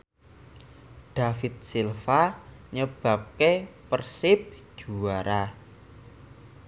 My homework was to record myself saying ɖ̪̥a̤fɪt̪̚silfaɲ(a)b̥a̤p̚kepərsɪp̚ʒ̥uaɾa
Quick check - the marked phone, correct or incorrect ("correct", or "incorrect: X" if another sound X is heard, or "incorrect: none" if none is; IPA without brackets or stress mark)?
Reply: incorrect: ə